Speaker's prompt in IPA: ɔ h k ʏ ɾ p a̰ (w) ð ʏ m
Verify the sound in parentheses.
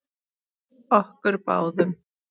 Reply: correct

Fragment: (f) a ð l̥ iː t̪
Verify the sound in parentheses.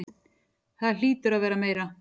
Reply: incorrect: θ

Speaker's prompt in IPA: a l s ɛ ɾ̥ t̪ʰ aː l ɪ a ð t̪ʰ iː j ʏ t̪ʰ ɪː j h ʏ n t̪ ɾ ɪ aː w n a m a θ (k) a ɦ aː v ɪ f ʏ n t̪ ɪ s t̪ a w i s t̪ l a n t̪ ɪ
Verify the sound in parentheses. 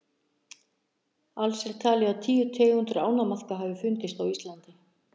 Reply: correct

